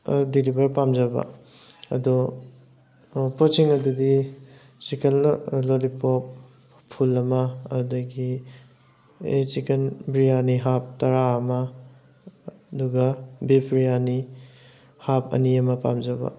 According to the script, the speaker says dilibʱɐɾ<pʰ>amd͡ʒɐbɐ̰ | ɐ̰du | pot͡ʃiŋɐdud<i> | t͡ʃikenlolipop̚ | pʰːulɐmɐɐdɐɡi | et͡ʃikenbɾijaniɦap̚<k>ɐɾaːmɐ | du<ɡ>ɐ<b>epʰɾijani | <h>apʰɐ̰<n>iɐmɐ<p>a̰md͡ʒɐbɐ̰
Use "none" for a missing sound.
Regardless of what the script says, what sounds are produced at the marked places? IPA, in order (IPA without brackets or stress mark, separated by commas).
p, i, t, ɡ, b, h, n, p